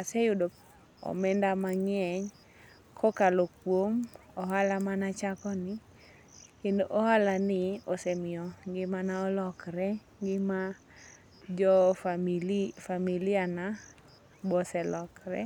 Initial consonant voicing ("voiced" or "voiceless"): voiceless